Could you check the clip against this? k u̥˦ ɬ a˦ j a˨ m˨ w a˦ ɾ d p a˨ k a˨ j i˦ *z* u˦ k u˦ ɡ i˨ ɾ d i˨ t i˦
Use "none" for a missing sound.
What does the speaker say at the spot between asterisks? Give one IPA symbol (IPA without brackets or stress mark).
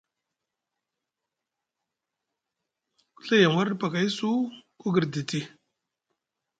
s